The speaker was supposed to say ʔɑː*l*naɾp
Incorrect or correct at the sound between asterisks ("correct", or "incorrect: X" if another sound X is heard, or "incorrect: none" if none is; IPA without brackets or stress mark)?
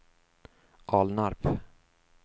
correct